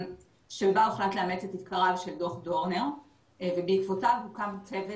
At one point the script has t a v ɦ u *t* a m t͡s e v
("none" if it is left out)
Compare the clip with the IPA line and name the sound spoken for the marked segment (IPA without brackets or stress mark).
k